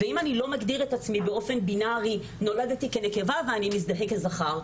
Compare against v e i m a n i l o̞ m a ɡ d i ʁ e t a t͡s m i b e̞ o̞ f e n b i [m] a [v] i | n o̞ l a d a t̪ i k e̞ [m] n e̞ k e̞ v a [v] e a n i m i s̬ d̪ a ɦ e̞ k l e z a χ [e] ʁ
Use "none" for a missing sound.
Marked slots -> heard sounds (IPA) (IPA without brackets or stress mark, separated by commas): n, ʁ, none, v, a